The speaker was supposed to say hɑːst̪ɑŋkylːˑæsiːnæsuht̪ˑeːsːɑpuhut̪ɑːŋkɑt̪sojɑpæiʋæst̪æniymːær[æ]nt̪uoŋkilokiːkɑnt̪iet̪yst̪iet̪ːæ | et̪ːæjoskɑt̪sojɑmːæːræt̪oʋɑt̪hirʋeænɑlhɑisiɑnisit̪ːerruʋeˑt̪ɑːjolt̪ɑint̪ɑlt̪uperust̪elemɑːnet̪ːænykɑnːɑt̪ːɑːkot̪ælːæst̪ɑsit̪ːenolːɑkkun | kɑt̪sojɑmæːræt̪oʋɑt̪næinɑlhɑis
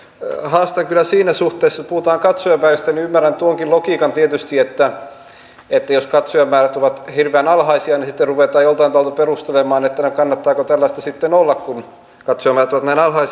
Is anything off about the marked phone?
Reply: no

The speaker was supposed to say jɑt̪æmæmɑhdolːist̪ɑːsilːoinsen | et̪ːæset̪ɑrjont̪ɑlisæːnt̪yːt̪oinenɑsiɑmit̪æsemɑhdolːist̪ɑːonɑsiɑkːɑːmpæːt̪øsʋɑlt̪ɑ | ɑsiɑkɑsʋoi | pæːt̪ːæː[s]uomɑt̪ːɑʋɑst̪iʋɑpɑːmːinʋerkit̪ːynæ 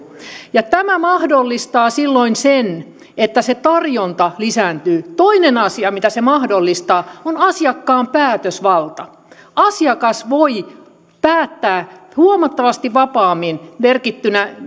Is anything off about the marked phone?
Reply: yes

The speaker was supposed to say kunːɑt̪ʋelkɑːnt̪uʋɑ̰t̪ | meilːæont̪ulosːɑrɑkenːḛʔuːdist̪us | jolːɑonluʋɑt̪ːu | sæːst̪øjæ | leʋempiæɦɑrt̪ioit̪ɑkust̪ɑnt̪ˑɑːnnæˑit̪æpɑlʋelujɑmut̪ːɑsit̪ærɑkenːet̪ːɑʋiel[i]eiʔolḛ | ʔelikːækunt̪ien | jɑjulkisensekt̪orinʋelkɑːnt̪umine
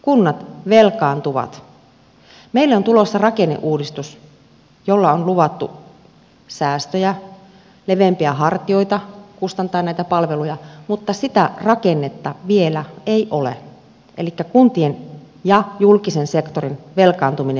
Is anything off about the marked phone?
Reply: yes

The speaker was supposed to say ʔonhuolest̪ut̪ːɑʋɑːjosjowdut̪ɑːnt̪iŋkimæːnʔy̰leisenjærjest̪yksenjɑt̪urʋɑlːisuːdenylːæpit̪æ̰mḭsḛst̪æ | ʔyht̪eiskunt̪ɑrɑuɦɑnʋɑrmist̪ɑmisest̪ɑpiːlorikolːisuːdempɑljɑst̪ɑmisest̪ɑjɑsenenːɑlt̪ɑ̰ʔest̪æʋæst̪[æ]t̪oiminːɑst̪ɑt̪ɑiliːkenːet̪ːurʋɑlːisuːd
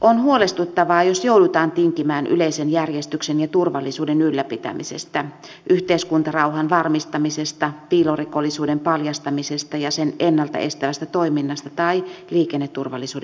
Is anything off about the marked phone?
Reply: no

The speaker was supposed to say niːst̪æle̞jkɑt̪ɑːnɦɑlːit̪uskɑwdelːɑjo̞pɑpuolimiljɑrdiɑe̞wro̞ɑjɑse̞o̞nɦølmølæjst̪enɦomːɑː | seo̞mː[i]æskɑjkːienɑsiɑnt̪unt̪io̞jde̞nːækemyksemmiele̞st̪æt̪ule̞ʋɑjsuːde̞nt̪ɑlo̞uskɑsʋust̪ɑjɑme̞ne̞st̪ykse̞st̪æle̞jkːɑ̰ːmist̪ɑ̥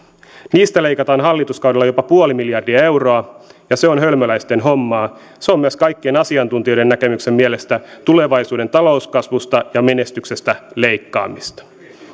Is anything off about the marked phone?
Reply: yes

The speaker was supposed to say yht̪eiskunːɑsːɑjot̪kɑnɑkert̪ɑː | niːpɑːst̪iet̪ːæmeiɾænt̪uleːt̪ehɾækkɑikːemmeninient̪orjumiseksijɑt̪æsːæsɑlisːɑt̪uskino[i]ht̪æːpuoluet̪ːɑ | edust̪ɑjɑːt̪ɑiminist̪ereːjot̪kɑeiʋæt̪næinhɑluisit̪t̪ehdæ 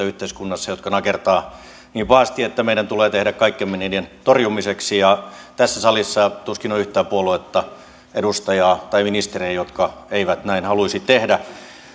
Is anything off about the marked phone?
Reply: yes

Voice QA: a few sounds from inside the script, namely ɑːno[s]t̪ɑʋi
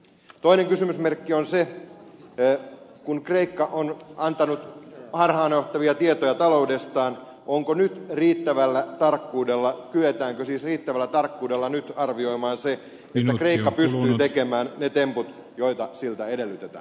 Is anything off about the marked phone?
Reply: yes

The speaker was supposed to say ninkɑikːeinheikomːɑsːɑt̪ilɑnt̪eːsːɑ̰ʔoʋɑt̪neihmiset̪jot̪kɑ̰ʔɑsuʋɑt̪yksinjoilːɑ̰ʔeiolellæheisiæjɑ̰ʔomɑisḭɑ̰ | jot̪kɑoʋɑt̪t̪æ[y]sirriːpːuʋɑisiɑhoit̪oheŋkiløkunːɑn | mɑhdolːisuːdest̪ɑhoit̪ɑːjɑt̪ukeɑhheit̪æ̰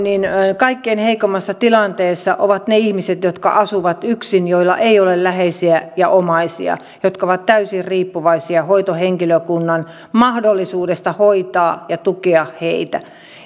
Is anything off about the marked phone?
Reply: no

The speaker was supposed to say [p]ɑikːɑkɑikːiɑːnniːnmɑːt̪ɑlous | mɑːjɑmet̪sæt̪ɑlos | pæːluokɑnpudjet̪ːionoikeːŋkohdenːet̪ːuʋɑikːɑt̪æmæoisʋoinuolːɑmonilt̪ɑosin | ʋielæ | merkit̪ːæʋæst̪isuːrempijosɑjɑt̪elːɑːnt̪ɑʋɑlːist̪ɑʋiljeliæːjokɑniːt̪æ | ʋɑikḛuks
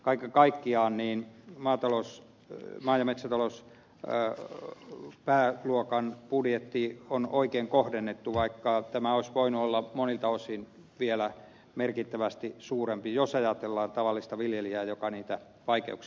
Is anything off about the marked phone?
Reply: yes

